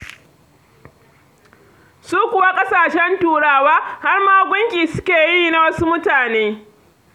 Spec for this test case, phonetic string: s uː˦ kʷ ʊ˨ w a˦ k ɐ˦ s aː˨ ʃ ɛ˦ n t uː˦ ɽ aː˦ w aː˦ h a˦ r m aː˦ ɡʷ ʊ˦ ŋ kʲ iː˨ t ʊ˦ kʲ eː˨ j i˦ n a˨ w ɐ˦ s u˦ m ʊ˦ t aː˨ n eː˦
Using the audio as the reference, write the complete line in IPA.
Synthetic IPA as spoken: s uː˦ kʷ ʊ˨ w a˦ kʼ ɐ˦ s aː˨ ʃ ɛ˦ n t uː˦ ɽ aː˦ w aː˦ h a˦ r m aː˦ ɡʷ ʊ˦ ŋ kʲ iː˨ s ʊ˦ kʲ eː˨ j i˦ n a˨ w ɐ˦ s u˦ m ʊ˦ t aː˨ n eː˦